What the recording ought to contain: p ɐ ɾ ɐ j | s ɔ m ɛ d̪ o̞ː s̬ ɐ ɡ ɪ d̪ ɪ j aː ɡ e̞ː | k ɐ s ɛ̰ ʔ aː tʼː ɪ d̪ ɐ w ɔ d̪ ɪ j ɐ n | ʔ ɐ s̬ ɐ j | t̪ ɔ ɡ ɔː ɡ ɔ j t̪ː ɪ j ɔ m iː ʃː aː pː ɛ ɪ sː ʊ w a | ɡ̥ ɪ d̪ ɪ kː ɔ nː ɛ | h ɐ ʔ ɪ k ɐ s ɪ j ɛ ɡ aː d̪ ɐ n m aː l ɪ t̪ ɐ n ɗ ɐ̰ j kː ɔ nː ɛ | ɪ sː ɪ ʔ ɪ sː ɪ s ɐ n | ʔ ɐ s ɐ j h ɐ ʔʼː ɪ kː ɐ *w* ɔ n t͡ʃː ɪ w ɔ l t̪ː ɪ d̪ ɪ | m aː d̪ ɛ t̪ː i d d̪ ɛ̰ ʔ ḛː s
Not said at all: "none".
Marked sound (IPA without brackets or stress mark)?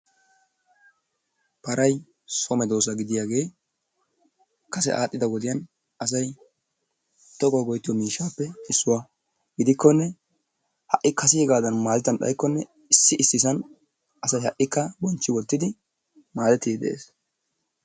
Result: b